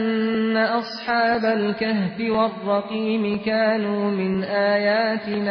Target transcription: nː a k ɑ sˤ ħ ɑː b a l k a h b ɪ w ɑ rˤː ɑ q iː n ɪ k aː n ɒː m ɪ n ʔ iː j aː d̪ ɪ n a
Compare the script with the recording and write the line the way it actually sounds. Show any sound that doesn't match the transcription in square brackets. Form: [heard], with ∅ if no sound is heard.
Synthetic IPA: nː a [ʔ] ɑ sˤ ħ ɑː b a l k a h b ɪ w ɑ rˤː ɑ q iː [m] ɪ k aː n [uː] m ɪ n ʔ [aː] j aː [t̪] ɪ n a